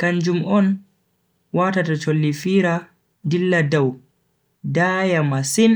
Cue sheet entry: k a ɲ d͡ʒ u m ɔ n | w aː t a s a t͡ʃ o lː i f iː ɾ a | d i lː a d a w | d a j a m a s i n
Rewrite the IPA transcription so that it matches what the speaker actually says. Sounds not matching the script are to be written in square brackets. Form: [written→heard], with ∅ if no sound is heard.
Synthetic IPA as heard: k a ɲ d͡ʒ u m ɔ n | w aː t a [s→t] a t͡ʃ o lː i f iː ɾ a | d i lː a d a w | d a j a m a s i n